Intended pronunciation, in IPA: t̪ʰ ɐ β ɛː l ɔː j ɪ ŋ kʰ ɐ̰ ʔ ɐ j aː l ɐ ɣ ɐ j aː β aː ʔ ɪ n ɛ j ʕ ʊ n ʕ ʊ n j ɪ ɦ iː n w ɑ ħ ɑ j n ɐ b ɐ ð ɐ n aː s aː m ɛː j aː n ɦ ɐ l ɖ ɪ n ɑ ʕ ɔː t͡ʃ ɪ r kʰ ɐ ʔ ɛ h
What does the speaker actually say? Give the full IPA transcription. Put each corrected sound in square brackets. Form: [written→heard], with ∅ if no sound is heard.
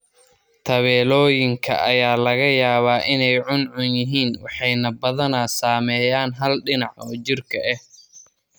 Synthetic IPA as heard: t̪ʰ ɐ β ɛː l ɔː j ɪ ŋ kʰ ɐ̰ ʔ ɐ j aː l ɐ ɣ ɐ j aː β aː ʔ ɪ n ɛ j ʕ ʊ n ʕ ʊ n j ɪ ɦ iː n w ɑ ħ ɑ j n ɐ b ɐ ð ɐ n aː s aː m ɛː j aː n ɦ ɐ l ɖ ɪ n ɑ ʕ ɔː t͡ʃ ɪ r kʰ ɐ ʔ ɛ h